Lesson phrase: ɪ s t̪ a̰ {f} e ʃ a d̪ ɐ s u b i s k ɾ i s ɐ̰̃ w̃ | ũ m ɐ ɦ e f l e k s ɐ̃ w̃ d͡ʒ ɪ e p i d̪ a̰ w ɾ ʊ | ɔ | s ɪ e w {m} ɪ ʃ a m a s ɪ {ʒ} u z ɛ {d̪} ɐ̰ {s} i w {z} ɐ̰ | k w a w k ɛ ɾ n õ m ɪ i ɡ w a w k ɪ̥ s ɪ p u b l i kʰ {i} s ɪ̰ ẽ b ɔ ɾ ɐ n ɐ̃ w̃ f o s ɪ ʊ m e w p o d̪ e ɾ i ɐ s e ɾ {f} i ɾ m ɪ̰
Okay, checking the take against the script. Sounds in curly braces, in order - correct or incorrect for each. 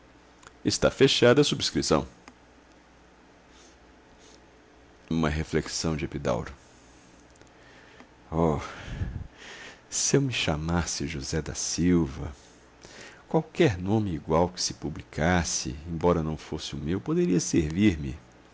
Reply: correct, correct, correct, correct, correct, incorrect: v, incorrect: a, incorrect: v

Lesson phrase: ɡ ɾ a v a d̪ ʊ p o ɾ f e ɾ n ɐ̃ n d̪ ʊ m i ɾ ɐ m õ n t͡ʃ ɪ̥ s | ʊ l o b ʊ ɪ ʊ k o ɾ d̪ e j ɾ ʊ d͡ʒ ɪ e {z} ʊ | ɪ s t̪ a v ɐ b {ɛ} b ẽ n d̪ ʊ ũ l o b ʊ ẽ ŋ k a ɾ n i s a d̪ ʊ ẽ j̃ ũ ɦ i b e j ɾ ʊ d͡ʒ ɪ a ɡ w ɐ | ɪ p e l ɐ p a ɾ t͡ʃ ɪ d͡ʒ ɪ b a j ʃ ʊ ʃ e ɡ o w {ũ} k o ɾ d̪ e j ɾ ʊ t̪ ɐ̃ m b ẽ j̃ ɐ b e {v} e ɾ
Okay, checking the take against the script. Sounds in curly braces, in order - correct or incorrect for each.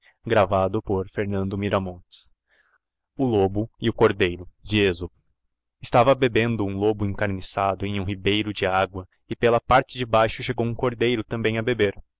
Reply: correct, incorrect: e, correct, incorrect: b

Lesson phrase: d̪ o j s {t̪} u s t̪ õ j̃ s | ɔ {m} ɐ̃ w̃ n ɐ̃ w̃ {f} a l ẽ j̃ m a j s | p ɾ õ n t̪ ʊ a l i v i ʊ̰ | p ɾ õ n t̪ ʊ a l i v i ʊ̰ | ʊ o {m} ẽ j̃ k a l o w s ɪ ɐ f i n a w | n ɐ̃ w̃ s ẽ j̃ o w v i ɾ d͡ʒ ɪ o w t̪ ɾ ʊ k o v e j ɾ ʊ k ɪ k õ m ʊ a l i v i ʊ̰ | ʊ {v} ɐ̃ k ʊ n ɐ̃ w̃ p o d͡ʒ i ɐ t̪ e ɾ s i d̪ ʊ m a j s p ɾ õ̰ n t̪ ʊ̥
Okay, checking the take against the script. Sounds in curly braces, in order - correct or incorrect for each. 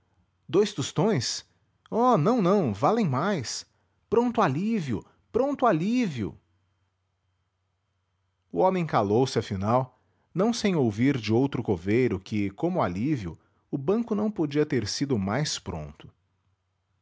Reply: correct, incorrect: n, incorrect: v, correct, incorrect: b

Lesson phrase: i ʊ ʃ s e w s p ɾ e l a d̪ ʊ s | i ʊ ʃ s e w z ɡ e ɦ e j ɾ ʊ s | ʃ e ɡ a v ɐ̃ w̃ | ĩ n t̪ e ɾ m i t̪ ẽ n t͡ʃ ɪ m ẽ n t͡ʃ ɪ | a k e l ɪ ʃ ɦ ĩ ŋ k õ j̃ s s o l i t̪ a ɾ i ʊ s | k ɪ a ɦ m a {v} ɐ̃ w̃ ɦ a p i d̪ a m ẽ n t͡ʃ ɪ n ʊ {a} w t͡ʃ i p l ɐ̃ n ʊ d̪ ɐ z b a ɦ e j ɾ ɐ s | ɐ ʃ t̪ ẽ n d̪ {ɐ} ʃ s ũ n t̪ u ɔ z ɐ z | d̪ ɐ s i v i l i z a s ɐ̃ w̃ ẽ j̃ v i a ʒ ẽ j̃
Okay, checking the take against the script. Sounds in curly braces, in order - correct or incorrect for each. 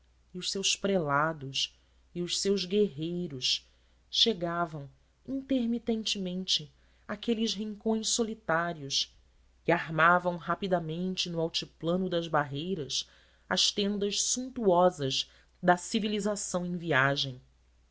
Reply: correct, correct, correct

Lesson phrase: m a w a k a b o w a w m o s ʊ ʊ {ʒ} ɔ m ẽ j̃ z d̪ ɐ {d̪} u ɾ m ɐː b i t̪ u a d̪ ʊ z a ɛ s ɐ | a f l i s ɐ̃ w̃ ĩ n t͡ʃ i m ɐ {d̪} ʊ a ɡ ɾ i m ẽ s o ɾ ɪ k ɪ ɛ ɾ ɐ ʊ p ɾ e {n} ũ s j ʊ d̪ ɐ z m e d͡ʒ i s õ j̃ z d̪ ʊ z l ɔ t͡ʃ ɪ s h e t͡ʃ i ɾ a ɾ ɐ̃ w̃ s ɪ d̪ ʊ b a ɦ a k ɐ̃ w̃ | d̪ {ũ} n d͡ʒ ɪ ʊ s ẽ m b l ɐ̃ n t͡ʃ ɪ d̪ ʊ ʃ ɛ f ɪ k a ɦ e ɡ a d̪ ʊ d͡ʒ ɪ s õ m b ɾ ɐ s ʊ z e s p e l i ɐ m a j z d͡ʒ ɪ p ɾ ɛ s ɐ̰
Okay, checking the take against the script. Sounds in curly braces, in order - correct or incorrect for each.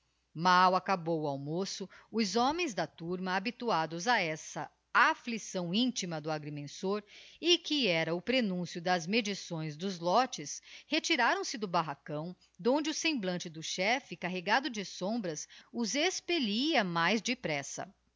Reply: incorrect: z, incorrect: t̪, correct, correct, incorrect: õ

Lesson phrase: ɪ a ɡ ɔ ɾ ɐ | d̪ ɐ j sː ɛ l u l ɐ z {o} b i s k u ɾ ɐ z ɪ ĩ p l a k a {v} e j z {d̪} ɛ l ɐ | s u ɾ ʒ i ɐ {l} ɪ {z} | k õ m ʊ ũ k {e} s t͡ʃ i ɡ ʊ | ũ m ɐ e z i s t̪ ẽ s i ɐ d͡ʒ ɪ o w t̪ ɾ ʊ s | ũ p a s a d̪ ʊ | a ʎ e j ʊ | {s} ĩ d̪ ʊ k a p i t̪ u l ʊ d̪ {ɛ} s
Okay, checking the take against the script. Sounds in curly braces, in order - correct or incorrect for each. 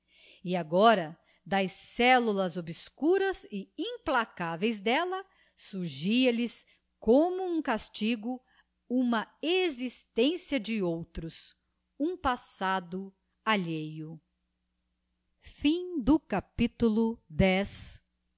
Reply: correct, correct, correct, correct, incorrect: s, incorrect: a, incorrect: f, correct

